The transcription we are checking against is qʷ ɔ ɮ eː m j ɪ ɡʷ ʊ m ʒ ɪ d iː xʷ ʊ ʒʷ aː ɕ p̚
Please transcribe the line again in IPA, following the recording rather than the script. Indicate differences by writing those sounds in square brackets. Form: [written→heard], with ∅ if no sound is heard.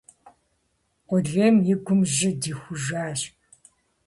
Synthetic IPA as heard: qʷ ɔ ɮ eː m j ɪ ɡʷ ʊ m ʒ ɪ d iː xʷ ʊ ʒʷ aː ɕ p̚